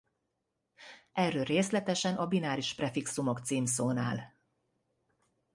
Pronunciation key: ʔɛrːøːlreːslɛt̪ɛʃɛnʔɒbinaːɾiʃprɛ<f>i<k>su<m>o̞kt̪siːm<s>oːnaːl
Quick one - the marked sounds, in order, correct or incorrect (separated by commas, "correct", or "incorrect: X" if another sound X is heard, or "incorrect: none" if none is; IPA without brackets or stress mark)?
correct, correct, correct, correct